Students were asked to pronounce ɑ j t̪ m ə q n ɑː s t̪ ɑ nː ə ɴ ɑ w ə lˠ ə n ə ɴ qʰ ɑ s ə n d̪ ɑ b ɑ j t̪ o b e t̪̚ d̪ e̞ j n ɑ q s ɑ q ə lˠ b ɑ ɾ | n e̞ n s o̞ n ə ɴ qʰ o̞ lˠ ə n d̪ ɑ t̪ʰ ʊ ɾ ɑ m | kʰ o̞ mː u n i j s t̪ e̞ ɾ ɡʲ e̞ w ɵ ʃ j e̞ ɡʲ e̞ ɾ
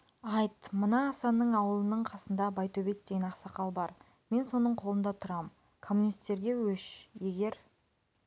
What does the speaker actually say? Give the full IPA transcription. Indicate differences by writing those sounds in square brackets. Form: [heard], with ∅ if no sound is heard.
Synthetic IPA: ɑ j t̪ m ə [∅] n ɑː s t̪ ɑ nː ə ɴ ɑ w ə lˠ ə n ə ɴ qʰ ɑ s ə n d̪ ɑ b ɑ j t̪ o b e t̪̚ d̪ e̞ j n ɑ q s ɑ q [ɑ] lˠ b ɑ ɾ | [m] e̞ n s o̞ n ə ɴ qʰ o̞ lˠ ə n d̪ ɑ t̪ʰ ʊ ɾ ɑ m | kʰ o̞ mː u n i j s t̪ e̞ ɾ ɡʲ e̞ w ɵ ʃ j e̞ ɡʲ e̞ ɾ

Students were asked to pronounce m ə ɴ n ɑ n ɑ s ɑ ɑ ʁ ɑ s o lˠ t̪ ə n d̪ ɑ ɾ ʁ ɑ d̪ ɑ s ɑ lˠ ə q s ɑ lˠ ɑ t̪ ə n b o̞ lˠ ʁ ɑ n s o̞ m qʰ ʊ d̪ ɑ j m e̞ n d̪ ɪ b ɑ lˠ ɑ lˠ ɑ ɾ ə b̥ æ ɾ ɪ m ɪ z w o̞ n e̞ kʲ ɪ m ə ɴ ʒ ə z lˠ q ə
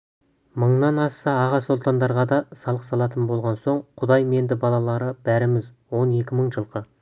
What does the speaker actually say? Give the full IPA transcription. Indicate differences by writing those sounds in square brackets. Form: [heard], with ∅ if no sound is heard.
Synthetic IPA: m ə ɴ n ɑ n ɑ s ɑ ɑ ʁ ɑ s o lˠ t̪ [ɑ] n d̪ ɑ ɾ ʁ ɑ d̪ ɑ s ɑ lˠ ə q s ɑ lˠ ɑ t̪ ə n b o̞ lˠ ʁ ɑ n s o̞ [ɴ] qʰ ʊ d̪ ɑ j m e̞ n d̪ ɪ b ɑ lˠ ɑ lˠ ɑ ɾ ə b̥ æ ɾ ɪ m ɪ z w o̞ n e̞ kʲ ɪ m ə ɴ ʒ ə [∅] lˠ q ə

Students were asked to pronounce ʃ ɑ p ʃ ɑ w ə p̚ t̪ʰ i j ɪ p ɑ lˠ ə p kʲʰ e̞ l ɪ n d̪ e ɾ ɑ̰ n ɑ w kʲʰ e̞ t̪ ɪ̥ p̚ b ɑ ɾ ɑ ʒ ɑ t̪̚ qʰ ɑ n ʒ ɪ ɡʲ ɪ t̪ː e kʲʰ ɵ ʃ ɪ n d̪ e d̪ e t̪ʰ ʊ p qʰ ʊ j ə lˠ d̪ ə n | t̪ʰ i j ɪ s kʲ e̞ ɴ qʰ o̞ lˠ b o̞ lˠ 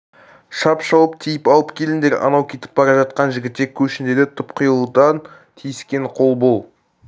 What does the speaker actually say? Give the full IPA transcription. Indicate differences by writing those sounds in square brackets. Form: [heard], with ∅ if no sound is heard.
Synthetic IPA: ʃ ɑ p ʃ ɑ w ə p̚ t̪ʰ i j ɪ p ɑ lˠ ə p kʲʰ e̞ l ɪ n d̪ e ɾ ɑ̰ n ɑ w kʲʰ e̞ t̪ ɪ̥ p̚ b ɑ ɾ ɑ ʒ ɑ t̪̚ [q] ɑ n ʒ ɪ ɡʲ ɪ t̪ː e kʲʰ ɵ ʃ ɪ n d̪ e d̪ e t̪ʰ ʊ p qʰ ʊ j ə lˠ d̪ [ɑ] n | t̪ʰ i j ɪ s kʲ e̞ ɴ qʰ o̞ lˠ b o̞ lˠ

